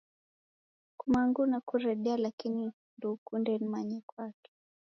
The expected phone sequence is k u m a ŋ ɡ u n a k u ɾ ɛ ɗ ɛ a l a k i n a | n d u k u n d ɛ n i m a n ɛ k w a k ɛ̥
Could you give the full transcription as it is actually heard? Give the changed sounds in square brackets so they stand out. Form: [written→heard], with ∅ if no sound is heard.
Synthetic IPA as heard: k u m a ŋ ɡ u n a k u ɾ ɛ ɗ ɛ a l a k i n [a→i] | n d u k u n d ɛ n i m a [n→ɲ] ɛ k w a k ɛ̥